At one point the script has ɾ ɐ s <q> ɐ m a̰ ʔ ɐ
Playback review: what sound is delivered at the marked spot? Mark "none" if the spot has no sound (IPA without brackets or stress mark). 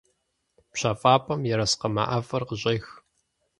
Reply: q